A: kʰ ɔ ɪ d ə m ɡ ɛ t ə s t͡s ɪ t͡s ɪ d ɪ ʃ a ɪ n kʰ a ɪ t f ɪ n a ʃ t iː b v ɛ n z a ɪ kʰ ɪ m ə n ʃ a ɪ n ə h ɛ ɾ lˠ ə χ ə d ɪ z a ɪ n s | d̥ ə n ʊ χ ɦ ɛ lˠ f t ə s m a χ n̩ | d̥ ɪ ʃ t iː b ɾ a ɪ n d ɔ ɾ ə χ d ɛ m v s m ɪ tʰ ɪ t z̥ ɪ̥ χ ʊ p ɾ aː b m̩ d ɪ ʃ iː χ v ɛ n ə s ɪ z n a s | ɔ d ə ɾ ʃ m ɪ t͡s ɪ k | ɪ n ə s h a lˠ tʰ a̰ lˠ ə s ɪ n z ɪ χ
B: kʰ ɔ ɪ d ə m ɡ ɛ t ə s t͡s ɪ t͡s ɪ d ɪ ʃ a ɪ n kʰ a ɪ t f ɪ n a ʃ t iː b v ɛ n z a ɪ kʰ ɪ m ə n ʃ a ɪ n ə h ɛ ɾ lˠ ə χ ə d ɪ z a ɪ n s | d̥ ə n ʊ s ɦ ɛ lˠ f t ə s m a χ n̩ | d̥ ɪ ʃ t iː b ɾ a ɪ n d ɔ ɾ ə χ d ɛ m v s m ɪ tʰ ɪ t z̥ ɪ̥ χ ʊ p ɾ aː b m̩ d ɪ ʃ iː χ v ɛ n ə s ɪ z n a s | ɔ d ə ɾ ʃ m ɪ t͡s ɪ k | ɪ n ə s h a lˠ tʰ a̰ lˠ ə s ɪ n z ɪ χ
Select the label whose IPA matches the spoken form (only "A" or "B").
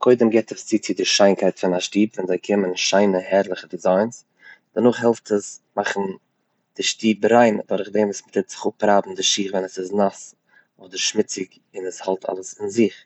A